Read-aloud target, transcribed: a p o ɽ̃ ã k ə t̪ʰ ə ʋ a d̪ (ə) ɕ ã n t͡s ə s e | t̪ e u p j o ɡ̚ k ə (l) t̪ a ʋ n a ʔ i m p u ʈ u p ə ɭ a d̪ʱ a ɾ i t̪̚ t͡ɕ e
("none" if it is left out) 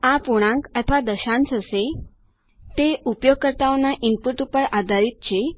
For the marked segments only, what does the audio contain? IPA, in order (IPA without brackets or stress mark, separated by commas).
ə, ɾ